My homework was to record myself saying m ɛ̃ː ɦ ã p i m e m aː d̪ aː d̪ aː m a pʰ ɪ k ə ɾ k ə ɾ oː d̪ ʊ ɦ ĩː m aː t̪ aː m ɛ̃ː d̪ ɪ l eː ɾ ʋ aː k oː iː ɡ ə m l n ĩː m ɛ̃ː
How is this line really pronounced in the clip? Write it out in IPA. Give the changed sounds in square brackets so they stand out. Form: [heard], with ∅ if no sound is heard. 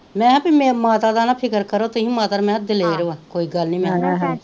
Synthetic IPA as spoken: m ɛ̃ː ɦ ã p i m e m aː [t̪] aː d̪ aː [n] a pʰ ɪ k ə ɾ k ə ɾ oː [t̪] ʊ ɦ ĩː m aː t̪ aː m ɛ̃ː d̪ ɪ l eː ɾ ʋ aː k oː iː ɡ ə [∅] l n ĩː m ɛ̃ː